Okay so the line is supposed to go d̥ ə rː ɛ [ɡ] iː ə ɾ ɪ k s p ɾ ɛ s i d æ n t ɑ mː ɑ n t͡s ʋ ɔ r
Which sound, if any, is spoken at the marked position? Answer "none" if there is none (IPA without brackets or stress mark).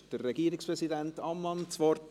ɡ